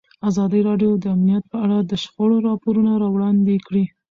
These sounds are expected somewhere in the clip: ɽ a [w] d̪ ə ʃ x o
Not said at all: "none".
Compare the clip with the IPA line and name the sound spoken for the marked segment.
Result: none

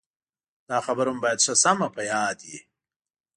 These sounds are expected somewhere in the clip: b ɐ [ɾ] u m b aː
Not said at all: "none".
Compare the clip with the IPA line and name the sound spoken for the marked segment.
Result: ɾ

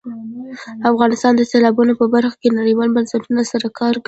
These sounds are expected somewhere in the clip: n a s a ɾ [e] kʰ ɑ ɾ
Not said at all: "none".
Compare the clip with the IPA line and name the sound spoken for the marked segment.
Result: a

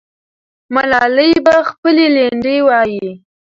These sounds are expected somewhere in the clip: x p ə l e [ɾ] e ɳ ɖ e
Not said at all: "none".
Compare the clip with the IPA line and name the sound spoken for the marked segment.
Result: l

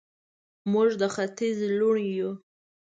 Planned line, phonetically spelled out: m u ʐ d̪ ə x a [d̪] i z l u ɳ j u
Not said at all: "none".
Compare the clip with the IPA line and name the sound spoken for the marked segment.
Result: t̪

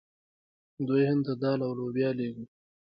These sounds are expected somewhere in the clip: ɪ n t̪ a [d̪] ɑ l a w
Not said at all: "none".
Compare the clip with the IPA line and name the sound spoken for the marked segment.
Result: d̪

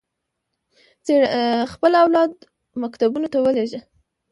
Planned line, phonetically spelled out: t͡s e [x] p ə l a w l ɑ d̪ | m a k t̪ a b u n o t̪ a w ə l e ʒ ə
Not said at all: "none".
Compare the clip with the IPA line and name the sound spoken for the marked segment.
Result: x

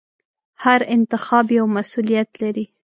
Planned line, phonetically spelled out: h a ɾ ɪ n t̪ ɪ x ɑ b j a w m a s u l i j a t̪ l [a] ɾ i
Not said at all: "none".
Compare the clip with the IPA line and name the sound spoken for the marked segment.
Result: a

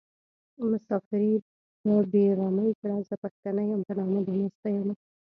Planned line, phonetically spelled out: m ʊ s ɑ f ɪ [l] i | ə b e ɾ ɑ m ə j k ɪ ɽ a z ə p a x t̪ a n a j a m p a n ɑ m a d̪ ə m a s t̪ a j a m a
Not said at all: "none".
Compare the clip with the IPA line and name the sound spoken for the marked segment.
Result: ɾ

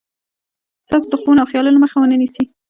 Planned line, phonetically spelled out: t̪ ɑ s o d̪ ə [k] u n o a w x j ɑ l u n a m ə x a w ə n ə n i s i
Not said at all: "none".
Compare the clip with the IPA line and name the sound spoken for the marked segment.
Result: x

